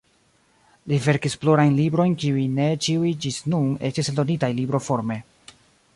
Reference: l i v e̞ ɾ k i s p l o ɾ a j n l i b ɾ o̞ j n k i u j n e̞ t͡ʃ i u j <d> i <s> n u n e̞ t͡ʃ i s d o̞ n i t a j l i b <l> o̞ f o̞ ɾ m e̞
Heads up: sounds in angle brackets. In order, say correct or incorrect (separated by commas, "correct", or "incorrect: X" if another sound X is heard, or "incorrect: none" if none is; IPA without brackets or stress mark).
incorrect: d͡ʒ, correct, incorrect: ɾ